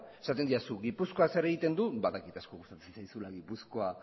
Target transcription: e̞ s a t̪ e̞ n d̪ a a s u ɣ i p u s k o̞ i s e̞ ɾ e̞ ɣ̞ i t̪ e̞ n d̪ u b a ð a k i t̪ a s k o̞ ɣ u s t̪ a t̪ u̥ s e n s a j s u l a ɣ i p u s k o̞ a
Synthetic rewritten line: e̞ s a t̪ e̞ n d̪ i a s u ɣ i p u s k o̞ a s e̞ ɾ e̞ ɣ̞ i t̪ e̞ n d̪ u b a ð a k i t̪ a s k o̞ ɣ u s t̪ a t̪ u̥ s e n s a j s u l a ɣ i p u s k o̞ a